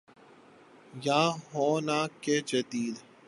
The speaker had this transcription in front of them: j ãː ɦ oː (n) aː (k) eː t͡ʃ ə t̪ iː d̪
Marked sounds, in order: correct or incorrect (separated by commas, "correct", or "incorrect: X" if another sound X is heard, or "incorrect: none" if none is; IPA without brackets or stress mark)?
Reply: correct, correct